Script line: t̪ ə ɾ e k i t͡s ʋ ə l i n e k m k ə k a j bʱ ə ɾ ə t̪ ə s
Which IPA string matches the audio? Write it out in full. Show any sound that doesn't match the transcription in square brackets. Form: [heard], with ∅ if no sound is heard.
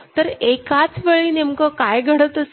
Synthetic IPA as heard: t̪ ə ɾ e k [a] t͡s ʋ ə [ɭ] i n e [∅] m k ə k a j [ɡʱ] ə [ɽ] ə t̪ ə s